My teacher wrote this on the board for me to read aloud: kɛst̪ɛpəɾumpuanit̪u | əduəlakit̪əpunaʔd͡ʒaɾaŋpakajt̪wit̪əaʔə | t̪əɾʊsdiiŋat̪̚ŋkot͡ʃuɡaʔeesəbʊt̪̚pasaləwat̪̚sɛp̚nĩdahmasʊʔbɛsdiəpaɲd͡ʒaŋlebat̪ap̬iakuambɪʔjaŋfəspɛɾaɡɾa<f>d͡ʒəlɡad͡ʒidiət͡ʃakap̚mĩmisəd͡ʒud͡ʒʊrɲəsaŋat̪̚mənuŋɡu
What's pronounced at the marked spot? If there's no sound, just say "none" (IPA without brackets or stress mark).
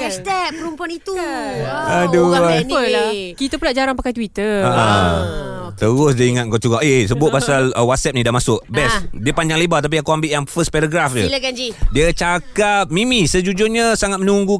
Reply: f